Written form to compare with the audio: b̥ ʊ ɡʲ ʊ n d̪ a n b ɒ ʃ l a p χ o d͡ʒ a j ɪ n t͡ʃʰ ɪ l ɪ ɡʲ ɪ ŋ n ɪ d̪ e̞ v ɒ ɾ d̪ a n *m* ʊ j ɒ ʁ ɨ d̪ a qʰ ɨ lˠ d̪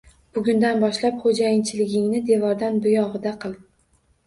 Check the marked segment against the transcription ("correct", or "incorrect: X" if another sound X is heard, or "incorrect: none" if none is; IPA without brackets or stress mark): incorrect: b